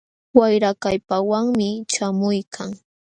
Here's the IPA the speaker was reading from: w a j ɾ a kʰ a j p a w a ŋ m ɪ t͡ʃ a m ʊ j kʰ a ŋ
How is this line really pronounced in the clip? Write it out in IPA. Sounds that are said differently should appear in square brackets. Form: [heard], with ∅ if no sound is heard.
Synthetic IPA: w a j ɾ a [k] a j p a w a ŋ m ɪ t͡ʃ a m ʊ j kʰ a ŋ